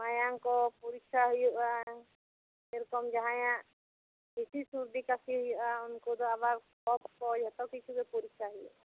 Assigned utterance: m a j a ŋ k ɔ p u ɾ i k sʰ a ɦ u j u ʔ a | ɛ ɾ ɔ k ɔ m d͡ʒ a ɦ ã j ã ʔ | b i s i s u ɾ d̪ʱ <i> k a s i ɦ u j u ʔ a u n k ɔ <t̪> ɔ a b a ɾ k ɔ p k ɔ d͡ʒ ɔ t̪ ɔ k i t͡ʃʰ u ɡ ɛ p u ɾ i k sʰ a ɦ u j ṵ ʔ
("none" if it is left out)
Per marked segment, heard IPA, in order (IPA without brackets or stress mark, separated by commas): i, d̪